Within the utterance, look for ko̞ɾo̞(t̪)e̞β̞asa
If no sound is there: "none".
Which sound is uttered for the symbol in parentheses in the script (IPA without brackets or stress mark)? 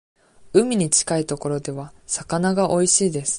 d̪